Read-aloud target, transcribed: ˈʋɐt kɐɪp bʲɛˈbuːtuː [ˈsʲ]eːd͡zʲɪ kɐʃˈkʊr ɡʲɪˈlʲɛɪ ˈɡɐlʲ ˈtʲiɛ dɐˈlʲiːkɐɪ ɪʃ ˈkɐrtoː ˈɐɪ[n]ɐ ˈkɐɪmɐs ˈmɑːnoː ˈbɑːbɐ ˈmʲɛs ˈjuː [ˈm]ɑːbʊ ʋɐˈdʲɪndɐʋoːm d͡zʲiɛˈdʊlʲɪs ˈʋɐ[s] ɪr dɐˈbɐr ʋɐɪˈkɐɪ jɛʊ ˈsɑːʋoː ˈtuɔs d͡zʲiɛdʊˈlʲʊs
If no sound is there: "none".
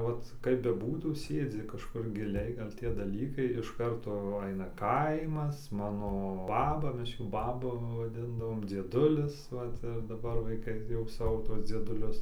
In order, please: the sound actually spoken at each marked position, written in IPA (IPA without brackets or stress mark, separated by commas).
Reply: sʲ, n, b, t